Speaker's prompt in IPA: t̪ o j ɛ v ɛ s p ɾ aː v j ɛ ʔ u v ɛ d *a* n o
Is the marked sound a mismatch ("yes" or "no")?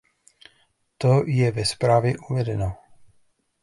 yes